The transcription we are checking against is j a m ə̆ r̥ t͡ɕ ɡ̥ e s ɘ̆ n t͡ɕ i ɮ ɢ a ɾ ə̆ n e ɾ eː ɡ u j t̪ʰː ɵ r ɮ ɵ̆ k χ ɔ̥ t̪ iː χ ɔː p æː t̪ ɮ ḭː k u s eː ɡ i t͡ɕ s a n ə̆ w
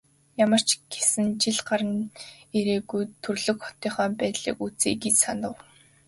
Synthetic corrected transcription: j a m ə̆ r̥ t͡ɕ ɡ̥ e s ɘ̆ n t͡ɕ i ɮ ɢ a ɾ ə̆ n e ɾ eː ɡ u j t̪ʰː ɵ r ɮ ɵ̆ k χ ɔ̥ t̪ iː χ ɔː p æː t̪ ɮ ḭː k u t͡s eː ɡ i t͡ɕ s a n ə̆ w